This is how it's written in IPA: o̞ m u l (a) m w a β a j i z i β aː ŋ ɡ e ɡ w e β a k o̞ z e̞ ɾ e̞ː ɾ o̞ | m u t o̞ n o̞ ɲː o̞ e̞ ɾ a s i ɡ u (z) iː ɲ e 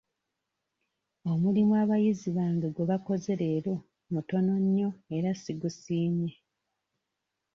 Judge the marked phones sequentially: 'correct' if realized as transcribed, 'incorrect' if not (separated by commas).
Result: incorrect, incorrect